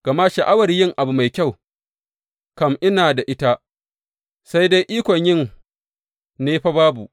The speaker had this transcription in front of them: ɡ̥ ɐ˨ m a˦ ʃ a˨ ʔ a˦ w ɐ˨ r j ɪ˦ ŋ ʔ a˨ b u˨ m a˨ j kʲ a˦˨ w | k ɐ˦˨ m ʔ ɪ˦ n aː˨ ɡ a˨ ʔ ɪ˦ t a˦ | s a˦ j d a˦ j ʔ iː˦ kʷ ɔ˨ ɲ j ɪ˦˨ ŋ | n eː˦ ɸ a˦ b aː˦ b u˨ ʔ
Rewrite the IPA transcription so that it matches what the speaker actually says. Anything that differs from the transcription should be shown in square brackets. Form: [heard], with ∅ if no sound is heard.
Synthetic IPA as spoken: ɡ̥ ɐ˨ m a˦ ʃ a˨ ʔ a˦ w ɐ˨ r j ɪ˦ ŋ ʔ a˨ b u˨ m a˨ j kʲ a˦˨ w | k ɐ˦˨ m ʔ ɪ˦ n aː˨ [d] a˨ ʔ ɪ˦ t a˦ | s a˦ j d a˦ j ʔ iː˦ kʷ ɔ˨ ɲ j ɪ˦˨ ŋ | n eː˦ ɸ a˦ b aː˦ b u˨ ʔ